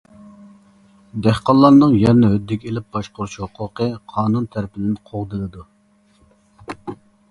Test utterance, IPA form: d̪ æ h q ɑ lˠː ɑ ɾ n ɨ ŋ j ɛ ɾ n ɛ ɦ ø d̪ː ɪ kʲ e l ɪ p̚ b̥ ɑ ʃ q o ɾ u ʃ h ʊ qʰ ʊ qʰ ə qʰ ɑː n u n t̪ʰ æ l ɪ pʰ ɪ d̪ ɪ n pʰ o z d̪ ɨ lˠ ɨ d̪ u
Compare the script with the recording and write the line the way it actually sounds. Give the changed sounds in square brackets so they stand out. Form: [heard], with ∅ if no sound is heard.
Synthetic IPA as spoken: d̪ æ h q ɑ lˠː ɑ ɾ n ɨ ŋ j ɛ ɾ n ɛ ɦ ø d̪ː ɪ kʲ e l ɪ p̚ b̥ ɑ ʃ q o ɾ u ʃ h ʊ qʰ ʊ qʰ ə qʰ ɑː n u n t̪ʰ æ [ɾ] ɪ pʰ ɪ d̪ ɪ n [qʰ] o [ʁ] d̪ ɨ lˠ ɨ d̪ u